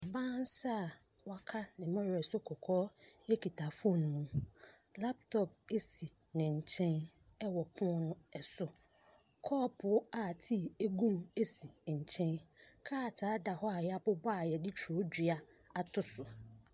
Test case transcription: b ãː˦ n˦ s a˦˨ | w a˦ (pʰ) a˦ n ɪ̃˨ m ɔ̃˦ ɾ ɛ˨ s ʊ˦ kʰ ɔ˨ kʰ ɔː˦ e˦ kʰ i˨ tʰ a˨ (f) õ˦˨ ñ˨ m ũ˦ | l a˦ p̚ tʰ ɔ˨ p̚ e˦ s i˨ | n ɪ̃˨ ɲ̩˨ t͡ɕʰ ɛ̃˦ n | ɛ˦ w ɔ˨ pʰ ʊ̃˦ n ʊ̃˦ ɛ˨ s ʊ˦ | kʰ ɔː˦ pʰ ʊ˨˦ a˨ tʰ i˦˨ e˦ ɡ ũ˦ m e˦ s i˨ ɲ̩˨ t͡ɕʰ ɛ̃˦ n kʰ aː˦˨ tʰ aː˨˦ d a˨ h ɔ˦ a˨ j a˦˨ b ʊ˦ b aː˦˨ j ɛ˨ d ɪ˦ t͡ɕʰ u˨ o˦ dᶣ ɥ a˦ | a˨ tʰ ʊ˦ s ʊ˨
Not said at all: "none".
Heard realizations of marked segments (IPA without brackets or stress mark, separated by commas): kʰ, f